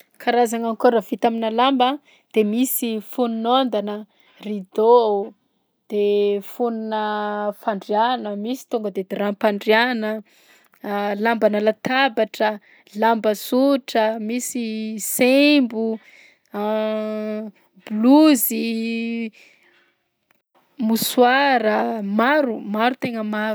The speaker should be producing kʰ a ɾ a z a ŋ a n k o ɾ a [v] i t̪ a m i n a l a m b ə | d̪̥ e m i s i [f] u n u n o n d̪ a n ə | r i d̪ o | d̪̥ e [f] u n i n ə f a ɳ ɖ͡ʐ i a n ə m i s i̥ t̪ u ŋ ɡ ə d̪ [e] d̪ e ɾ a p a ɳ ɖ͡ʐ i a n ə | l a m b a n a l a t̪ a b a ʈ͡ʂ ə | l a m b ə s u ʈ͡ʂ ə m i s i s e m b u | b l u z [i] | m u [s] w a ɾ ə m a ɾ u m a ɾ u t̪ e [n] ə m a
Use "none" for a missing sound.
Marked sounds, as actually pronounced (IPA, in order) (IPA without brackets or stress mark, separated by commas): v, f, f, e, i, s, ŋ